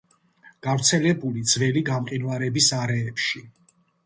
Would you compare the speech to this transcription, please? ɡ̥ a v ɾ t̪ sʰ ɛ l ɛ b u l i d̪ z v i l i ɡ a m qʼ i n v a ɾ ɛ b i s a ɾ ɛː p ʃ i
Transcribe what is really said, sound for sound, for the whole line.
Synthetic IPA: ɡ̥ a v ɾ t̪ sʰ ɛ l ɛ b u l i d̪ z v ɛ l i ɡ a m qʼ i n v a ɾ ɛ b i s a ɾ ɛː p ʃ i

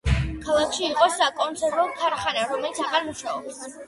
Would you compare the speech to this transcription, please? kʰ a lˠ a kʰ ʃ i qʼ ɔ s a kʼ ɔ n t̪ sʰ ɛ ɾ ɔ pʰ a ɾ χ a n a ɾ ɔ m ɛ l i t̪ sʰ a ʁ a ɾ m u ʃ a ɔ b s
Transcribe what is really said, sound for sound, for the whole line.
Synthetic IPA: kʰ a lˠ a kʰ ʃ iː qʼ ɔ s a kʼ ɔ n t̪ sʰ ɛ ɾ ɔ kʰ a ɾ χ a n a ɾ ɔ m ɛ l i t̪ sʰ a ʁ a ɾ m u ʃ a ɔ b s

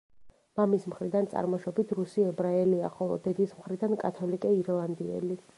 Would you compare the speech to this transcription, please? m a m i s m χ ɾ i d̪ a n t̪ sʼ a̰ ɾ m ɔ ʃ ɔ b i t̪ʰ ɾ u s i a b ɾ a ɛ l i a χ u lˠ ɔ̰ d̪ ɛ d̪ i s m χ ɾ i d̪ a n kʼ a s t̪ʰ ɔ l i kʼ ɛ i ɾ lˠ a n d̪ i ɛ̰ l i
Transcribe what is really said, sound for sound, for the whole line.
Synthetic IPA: m a m i s m χ ɾ i d̪ a n t̪ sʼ a̰ ɾ m ɔ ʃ ɔ b i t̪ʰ ɾ u s i ɛ b ɾ a ɛ l i a χ ɔ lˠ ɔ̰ d̪ ɛ d̪ i s m χ ɾ i d̪ a n kʼ a t̪ʰ ɔ l i kʼ ɛ i ɾ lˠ a n d̪ i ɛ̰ l i

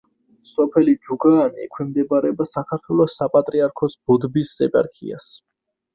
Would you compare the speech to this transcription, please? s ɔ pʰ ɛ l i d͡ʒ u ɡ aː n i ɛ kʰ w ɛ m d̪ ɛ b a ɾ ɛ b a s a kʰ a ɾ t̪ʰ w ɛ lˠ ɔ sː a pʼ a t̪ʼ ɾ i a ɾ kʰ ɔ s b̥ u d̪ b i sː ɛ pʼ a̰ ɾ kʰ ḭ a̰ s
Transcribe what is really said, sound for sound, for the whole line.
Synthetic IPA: s ɔ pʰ ɛ l i d͡ʒ u ɡ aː n i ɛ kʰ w ɛ m d̪ ɛ b a ɾ ɛ b a s a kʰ a ɾ t̪ʰ w ɛ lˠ ɔ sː a pʼ a t̪ʼ ɾ i a ɾ kʰ ɔ s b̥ u d̪ b i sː ɛ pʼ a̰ ɾ kʰ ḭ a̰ s

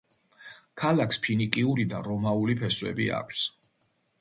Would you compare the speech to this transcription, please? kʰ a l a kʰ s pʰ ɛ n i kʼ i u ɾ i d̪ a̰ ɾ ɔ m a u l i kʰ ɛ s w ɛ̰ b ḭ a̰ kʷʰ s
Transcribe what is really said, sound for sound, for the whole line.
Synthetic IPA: kʰ a l a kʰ s pʰ i n i kʼ i u ɾ i d̪ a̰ ɾ ɔ m a u l i pʰ ɛ s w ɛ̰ b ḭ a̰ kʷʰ s

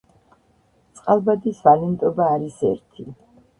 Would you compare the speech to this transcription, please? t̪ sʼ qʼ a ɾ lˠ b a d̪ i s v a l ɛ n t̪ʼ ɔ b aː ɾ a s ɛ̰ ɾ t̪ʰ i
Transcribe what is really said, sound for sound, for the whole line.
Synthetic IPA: t̪ sʼ qʼ a lˠ b a d̪ i s v a l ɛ n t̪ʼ ɔ b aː ɾ i s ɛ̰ ɾ t̪ʰ i

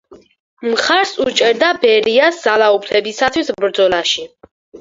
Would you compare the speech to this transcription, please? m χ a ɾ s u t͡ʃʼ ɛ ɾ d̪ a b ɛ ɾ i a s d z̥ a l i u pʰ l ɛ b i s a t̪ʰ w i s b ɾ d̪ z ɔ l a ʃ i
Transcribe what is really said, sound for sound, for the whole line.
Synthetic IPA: m χ a ɾ s u t͡ʃʼ ɛ ɾ d̪ a b ɛ ɾ i a s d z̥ a l a u pʰ l ɛ b i s a t̪ʰ w i s b ɾ d̪ z ɔ l a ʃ i

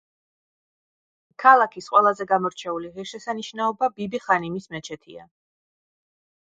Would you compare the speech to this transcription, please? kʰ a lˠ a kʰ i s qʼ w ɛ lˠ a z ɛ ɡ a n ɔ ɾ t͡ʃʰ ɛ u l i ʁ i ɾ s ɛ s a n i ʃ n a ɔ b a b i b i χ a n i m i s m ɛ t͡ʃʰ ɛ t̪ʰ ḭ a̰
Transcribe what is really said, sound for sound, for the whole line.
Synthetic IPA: kʰ a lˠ a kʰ i s qʼ w ɛ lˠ a z ɛ ɡ a m ɔ ɾ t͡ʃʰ ɛ u l i ʁ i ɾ ʃ ɛ s a n i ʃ n a ɔ b a b i b i χ a n i m i s m ɛ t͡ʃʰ ɛ t̪ʰ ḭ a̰

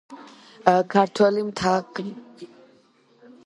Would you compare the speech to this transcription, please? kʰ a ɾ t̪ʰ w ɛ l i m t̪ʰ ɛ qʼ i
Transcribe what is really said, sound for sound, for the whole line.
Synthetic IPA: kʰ a ɾ t̪ʰ w ɛ l i m t̪ʰ a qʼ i

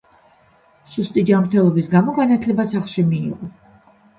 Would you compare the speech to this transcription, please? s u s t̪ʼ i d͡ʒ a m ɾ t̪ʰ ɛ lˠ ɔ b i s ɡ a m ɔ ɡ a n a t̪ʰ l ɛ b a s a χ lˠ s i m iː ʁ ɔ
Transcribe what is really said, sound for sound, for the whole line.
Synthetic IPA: s u s t̪ʼ i d͡ʒ a m ɾ t̪ʰ ɛ lˠ ɔ b i s ɡ a m ɔ ɡ a n a t̪ʰ l ɛ b a s a χ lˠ ʃ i m iː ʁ ɔ

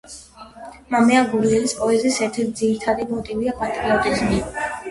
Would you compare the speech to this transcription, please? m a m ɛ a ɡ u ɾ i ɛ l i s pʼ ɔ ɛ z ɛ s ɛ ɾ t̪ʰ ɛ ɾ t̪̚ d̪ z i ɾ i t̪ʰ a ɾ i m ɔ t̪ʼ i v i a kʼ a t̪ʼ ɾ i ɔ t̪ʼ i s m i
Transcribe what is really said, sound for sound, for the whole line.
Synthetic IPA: m a m ɛ a ɡ u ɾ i ɛ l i s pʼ ɔ ɛ z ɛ s ɛ ɾ t̪ʰ ɛ ɾ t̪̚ d̪ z i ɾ i t̪ʰ a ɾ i m ɔ t̪ʼ i v i a pʼ a t̪ʼ ɾ i ɔ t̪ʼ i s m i

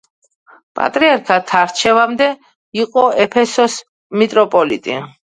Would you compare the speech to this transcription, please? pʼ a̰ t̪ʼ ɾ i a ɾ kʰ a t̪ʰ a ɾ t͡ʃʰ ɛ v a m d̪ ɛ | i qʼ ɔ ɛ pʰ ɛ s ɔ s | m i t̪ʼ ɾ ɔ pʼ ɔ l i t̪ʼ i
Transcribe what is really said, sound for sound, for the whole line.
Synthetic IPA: pʼ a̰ t̪ʼ ɾ i a ɾ kʰ a t̪ʰ a ɾ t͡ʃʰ ɛ v a m d̪ ɛ | i qʼ ɔ ɛ pʰ ɛ s ɔ s | m i t̪ʼ ɾ ɔ pʼ ɔ l i t̪ʼ i

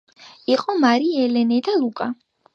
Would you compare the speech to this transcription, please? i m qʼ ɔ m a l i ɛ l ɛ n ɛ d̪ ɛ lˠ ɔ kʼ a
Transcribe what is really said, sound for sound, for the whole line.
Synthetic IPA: i qʼ ɔ m a ɾ i ɛ l ɛ n ɛ d̪ a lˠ u kʼ a

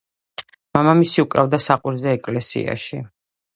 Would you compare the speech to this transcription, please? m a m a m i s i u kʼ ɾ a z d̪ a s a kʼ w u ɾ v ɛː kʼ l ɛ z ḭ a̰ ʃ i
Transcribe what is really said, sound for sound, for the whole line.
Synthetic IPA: m a m a m i s i u kʼ ɾ a v d̪ a s a qʼ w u ɾ z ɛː kʼ l ɛ s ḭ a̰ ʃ i

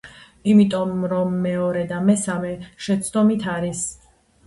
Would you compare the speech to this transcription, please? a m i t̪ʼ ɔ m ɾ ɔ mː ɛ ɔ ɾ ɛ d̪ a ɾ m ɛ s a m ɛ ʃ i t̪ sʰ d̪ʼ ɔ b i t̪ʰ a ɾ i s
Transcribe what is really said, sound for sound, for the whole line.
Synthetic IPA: i m i t̪ʼ ɔ m ɾ ɔ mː ɛ ɔ ɾ ɛ d̪ a m ɛ s a m ɛ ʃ ɛ t̪ sʰ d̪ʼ ɔ m i t̪ʰ a ɾ i s

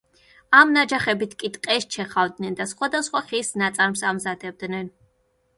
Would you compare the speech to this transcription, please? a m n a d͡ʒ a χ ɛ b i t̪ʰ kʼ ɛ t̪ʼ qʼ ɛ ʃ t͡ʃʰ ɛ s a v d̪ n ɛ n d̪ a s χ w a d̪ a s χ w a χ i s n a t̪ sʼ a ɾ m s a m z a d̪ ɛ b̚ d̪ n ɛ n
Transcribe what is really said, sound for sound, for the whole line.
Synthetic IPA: a m n a d͡ʒ a χ ɛ b i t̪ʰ kʼ i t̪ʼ qʼ ɛ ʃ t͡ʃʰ ɛ χ a v d̪ n ɛ n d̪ a s χ w a d̪ a s χ w a χ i s n a t̪ sʼ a ɾ m s a m z a d̪ ɛ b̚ d̪ n ɛ n

